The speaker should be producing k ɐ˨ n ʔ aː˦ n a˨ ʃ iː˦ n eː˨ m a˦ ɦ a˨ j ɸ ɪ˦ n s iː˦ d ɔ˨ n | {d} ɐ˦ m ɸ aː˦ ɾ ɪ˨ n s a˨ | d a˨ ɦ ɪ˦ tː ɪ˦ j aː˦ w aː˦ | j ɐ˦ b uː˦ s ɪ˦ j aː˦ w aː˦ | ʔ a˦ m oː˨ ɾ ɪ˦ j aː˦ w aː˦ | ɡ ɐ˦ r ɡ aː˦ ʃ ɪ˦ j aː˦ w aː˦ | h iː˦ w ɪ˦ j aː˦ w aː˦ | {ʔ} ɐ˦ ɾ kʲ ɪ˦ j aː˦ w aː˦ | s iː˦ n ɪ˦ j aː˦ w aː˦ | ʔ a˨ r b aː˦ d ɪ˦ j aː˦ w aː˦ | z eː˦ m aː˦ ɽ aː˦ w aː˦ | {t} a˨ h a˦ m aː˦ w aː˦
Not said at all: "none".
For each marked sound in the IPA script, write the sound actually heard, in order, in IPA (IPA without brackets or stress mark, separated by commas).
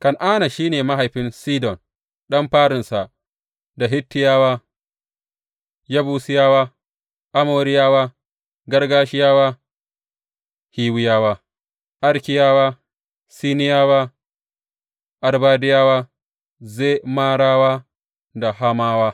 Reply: ɗ, ʔ, d